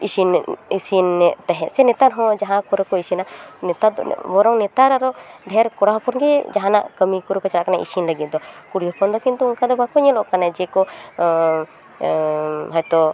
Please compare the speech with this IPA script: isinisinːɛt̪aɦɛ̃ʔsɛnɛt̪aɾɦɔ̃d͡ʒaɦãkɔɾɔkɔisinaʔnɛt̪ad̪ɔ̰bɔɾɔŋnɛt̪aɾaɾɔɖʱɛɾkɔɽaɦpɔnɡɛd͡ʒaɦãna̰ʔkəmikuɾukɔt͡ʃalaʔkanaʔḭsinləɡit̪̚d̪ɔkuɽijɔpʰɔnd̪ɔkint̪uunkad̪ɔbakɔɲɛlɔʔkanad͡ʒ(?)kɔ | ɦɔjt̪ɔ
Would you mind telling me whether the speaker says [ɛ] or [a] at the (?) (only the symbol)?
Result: ɛ